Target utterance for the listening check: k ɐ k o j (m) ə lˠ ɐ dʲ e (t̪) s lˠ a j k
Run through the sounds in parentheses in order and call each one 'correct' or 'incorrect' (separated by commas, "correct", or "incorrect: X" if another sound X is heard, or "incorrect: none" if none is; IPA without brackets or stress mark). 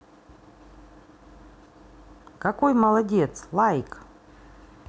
correct, correct